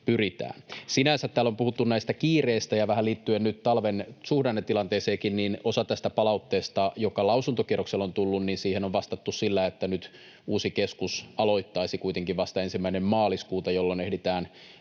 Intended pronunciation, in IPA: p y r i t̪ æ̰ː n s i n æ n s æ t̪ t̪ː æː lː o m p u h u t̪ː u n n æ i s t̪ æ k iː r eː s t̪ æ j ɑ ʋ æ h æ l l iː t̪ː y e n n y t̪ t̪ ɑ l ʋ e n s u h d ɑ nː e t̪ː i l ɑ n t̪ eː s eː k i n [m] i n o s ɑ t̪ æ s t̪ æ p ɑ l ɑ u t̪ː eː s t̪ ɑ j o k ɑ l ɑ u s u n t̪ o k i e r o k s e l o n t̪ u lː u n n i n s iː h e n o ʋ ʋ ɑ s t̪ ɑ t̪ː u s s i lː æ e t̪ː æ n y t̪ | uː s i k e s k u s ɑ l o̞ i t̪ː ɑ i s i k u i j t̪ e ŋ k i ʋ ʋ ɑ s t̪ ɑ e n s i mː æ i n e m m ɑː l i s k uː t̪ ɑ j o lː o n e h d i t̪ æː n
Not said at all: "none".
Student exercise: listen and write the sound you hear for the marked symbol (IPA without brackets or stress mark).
n